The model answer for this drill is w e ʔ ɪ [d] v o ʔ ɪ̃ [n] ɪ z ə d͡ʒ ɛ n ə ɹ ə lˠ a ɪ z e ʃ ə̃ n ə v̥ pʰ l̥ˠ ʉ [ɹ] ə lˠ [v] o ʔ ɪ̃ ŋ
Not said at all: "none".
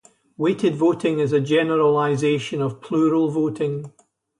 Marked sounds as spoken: d, ŋ, ɹ, v

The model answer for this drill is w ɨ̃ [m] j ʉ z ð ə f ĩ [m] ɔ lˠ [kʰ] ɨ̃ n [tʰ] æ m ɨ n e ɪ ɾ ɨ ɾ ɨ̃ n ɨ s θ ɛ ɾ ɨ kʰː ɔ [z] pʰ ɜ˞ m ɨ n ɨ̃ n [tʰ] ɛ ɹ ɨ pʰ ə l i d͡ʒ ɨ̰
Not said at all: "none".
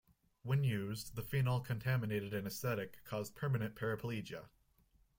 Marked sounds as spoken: n, n, kʰ, tʰ, z, pʰ

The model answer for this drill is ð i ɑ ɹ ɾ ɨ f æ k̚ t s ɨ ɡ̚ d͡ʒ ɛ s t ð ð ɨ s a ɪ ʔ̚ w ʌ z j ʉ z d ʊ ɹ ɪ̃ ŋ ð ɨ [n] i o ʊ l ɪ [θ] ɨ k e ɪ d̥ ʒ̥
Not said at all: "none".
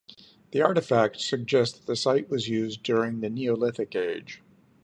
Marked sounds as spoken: n, θ

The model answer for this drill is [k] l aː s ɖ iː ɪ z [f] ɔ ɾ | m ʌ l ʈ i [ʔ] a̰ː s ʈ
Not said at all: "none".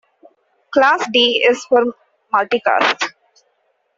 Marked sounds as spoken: k, f, k

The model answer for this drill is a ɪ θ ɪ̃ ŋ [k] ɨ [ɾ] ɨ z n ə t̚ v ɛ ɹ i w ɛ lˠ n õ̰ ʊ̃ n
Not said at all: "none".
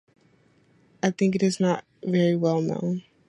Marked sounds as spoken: k, ɾ

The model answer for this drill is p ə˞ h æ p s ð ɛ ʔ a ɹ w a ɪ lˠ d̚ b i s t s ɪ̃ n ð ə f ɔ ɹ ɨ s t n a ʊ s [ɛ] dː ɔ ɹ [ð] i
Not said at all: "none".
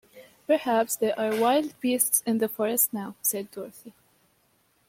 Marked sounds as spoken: ɛ, θ

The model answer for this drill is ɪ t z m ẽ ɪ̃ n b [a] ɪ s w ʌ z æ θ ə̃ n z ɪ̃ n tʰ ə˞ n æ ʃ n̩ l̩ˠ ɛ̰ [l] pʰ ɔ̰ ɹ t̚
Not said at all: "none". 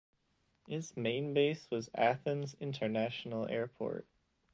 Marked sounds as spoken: e, ɹ

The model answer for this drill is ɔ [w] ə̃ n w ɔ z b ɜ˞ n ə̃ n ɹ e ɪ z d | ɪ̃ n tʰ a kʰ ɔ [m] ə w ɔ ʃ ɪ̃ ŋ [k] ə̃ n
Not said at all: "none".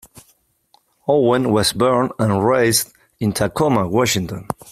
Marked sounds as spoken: w, m, t

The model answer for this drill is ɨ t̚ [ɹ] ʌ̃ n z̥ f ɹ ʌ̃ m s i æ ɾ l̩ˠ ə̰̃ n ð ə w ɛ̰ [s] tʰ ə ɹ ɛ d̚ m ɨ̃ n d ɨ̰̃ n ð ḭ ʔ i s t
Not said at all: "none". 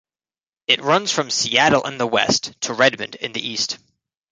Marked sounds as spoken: ɹ, s

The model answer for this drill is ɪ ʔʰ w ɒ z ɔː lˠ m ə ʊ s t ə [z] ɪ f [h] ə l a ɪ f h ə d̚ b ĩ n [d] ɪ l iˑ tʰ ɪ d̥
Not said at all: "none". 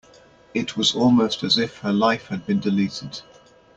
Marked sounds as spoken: z, h, d

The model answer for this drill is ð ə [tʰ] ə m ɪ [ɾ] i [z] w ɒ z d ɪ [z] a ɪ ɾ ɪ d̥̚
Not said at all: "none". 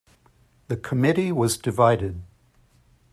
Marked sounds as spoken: kʰ, ɾ, none, v

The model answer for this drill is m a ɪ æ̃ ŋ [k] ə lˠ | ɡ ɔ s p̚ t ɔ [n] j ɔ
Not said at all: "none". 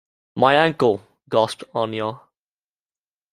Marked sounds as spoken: k, n

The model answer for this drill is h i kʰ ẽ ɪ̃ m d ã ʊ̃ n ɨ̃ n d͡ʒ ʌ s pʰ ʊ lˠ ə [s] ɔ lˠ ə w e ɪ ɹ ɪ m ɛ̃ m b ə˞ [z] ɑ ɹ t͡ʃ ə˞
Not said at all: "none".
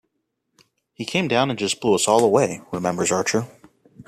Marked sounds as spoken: s, z

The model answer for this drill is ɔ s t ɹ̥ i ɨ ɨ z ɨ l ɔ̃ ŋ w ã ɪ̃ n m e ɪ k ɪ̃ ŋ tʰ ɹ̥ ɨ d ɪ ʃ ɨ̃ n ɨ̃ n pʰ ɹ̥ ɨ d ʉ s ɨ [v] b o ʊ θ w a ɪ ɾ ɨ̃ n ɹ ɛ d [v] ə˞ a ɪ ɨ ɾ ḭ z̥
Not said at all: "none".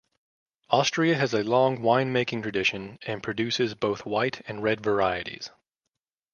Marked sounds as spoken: z, v

